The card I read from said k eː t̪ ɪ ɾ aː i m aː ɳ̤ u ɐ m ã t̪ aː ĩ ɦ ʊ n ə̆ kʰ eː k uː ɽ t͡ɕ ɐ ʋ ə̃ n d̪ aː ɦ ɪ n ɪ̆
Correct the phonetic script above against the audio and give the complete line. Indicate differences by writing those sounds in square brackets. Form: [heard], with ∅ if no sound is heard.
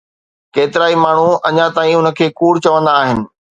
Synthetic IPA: k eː t̪ ɪ ɾ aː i m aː ɳ̤ u ɐ [ɲ] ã t̪ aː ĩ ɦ ʊ n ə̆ kʰ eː k uː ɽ t͡ɕ ɐ ʋ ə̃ n d̪ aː ɦ ɪ n ɪ̆